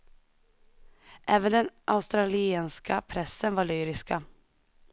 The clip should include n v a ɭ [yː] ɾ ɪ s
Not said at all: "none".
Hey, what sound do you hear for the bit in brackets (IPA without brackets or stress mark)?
yː